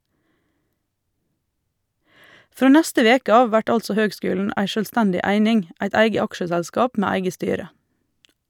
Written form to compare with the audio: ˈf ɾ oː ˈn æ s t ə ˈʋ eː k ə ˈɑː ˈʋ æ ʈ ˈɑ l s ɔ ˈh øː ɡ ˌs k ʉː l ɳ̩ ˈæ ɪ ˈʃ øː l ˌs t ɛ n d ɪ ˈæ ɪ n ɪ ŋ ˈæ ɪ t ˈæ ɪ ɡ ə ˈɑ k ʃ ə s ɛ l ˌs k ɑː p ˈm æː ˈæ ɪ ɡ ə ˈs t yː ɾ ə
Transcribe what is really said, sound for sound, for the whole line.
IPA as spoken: ˈf ɾ oː ˈn æ s t ə ˈʋ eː k ə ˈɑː ˈʋ æ ʈ ˈɑ l s ɔ ˈh øː ɡ ˌs k ʉː l ɳ̩ ˈæ ɪ ˈʃ øː l ˌs t ɛ n d ɪ ˈæ ɪ n ɪ ŋ ˈæ ɪ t ˈæ ɪ ɡ ə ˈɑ k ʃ ə s ɛ l ˌs k ɑː p ˈm æː ˈæ ɪ ɡ ə ˈs t yː ɾ ə